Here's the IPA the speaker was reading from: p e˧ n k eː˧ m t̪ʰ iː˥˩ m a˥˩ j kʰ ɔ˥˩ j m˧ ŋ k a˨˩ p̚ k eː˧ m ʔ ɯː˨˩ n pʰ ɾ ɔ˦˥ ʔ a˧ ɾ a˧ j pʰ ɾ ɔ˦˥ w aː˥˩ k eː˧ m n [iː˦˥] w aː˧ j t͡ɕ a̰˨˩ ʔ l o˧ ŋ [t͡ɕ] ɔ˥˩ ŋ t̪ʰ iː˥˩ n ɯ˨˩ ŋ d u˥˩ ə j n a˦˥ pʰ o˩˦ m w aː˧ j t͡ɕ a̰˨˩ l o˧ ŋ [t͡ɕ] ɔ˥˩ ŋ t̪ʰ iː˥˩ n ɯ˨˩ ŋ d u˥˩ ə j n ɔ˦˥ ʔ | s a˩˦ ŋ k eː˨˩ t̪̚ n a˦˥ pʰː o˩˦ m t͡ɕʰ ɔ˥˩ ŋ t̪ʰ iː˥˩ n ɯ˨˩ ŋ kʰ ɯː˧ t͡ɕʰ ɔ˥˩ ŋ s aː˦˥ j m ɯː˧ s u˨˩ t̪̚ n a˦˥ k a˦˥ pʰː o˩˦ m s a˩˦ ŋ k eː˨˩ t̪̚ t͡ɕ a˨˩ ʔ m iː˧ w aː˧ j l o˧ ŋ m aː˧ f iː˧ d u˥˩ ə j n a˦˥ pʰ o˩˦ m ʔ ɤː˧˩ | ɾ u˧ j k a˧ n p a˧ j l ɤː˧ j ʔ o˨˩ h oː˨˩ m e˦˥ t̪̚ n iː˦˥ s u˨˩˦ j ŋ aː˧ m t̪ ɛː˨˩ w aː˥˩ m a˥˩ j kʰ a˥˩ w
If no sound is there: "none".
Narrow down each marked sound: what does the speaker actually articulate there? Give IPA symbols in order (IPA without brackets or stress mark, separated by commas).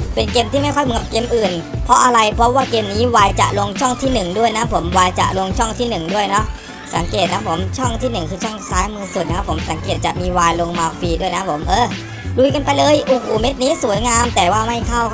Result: iː˦˥, t͡ɕʰ, t͡ɕʰ